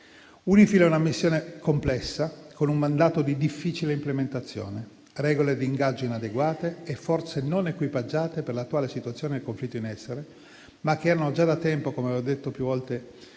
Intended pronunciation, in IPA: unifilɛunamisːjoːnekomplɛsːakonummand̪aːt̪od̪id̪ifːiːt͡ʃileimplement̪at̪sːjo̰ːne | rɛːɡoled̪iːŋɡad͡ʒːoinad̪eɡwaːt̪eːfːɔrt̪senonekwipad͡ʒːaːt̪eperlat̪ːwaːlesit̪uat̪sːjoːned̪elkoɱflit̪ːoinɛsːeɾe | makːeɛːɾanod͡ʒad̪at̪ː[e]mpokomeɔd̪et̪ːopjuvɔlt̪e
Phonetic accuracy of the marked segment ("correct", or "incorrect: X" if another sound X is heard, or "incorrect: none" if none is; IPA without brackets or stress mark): incorrect: ɛ